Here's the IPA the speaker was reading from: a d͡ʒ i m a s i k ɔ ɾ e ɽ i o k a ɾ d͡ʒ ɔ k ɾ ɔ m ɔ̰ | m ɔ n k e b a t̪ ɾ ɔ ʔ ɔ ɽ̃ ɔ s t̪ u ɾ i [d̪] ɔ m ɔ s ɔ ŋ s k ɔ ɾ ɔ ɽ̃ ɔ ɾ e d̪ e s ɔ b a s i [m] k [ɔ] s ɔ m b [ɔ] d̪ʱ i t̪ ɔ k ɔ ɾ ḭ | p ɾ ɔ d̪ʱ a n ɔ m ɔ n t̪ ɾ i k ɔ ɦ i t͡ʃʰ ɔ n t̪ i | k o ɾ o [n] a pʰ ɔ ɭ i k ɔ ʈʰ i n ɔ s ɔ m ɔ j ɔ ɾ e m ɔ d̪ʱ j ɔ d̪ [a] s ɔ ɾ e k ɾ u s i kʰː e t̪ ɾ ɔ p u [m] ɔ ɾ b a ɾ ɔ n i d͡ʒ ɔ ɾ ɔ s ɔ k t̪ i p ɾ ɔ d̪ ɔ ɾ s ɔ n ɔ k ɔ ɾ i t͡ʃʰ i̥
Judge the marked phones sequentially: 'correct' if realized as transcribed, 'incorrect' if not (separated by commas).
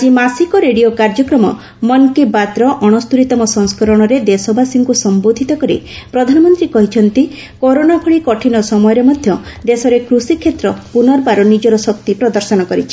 incorrect, incorrect, incorrect, incorrect, correct, incorrect, incorrect